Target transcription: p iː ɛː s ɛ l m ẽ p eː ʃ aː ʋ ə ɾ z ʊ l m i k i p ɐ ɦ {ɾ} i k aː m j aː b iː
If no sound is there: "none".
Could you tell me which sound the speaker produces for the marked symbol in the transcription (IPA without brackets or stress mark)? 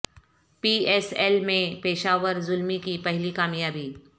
l